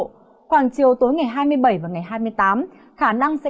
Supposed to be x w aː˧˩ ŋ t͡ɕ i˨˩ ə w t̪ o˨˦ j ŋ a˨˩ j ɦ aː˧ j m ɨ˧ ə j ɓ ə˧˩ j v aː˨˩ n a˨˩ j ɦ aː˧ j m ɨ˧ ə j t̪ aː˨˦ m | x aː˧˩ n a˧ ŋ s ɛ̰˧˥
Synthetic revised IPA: x w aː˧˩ ŋ t͡ɕ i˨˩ ə w t̪ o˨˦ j ŋ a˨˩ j ɦ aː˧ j m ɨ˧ ə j ɓ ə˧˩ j v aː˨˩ ŋ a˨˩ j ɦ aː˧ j m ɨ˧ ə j t̪ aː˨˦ m | x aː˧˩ n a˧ ŋ s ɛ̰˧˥